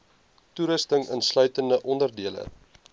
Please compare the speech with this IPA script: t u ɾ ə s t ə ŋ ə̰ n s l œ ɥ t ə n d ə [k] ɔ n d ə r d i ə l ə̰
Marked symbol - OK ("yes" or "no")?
no